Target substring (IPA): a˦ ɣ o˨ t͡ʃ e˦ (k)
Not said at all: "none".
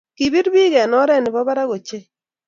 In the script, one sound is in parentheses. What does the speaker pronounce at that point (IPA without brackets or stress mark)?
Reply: none